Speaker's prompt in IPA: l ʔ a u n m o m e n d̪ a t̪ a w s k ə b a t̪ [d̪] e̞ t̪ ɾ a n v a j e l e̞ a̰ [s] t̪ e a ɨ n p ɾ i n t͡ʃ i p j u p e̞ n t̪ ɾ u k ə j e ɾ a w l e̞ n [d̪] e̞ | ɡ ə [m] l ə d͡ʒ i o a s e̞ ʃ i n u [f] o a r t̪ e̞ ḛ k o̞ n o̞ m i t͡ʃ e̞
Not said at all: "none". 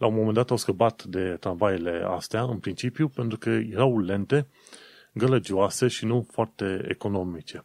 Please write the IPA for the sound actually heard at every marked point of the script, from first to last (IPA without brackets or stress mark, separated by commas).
d̪, s, t̪, none, f